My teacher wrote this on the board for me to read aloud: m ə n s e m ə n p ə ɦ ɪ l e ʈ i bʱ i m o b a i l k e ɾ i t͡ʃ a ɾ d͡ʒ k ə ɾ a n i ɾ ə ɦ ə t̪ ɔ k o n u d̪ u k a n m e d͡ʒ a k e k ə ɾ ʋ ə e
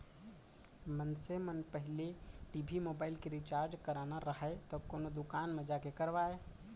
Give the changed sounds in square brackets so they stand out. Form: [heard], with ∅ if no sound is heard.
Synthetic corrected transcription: m ə n s e m ə n p ə ɦ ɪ l e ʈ i bʱ i m o b a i l k e ɾ i t͡ʃ a ɾ d͡ʒ k ə ɾ a n [a] ɾ ə ɦ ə t̪ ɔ k o n [o] d̪ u k a n m e d͡ʒ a k e k ə ɾ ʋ [a] e